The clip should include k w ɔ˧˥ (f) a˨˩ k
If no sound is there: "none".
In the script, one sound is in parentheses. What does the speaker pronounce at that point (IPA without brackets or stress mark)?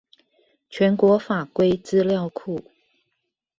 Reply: f